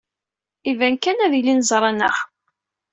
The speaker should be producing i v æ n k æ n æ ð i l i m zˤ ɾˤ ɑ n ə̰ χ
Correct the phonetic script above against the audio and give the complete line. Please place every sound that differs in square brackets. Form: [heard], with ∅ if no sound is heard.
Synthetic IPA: i v æ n k æ n æ ð i l i [n] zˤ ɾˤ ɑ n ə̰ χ